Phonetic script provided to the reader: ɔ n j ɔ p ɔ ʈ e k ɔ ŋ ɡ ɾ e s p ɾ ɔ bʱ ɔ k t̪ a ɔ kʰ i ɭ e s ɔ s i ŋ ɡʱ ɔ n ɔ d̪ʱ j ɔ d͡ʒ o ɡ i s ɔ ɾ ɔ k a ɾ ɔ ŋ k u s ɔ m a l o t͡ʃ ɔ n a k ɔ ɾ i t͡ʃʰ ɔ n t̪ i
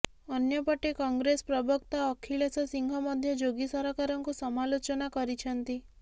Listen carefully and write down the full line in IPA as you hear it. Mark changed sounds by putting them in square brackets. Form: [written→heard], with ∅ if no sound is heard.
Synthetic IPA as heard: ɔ n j ɔ p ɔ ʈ e k ɔ ŋ ɡ ɾ e s p ɾ ɔ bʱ ɔ k t̪ a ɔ kʰ i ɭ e s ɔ s i ŋ ɡʱ ɔ [n→m] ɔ d̪ʱ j ɔ d͡ʒ o ɡ i s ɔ ɾ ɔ k a ɾ ɔ ŋ k u s ɔ m a l o t͡ʃ ɔ n a k ɔ ɾ i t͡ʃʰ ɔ n t̪ i